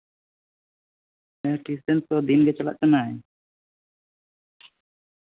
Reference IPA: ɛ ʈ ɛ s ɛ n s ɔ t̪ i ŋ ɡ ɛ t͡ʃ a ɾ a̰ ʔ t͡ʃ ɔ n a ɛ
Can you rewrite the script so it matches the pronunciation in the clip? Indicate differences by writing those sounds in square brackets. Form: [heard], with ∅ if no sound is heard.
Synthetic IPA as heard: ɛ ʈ [i] s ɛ n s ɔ [d̪] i [n] ɡ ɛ t͡ʃ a [l] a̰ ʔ t͡ʃ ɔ n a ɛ